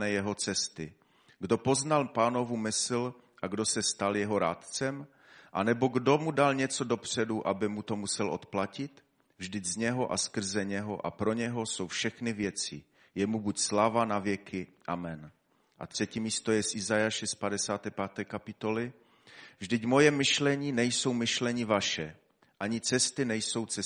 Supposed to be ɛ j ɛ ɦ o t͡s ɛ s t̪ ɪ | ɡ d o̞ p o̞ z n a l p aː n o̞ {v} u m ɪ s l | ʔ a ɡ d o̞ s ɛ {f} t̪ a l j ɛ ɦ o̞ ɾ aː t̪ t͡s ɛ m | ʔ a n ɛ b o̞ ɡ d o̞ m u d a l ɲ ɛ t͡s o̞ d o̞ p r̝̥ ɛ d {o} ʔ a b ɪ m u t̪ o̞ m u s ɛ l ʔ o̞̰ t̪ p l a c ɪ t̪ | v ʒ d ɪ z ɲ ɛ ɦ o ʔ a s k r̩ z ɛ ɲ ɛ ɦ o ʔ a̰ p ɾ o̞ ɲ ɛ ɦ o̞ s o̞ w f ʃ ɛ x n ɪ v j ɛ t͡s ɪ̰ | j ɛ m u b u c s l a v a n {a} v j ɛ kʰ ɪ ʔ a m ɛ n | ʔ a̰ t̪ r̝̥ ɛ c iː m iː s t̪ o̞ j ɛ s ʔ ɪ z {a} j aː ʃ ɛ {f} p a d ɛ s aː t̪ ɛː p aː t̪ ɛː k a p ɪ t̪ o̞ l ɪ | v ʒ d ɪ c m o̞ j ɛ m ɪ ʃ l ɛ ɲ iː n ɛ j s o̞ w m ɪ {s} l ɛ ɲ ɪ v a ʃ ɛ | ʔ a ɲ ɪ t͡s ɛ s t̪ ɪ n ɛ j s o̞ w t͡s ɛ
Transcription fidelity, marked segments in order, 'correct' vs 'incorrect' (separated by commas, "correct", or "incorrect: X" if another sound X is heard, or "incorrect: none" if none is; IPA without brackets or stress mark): correct, incorrect: s, incorrect: u, correct, correct, incorrect: s, incorrect: ʃ